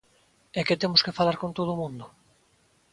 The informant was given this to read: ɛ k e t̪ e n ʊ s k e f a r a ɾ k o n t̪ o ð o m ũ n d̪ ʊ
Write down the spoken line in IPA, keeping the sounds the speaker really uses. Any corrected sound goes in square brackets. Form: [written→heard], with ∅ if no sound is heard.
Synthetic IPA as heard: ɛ k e t̪ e [n→m] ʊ s k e f a [r→l] a ɾ k o n t̪ o ð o m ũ n d̪ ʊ